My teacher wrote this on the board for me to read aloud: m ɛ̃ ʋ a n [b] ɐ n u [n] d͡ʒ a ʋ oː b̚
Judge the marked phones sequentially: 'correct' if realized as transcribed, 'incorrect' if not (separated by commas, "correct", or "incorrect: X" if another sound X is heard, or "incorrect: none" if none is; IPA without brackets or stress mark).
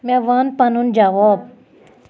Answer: incorrect: p, correct